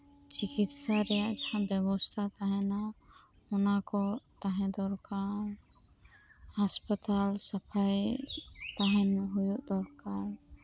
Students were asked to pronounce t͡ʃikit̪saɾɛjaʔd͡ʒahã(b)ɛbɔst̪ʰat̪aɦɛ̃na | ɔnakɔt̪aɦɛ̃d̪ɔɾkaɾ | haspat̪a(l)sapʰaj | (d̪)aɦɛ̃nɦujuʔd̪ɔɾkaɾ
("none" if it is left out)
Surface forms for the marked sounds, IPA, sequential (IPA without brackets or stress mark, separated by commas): b, l, t̪